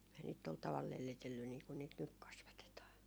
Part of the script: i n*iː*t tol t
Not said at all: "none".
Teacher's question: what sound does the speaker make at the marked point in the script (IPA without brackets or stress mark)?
iː